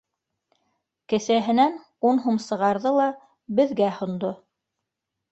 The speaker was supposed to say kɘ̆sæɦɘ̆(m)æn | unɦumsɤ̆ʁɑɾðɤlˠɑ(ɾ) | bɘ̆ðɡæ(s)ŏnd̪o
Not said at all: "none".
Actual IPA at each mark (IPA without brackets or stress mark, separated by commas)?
n, none, h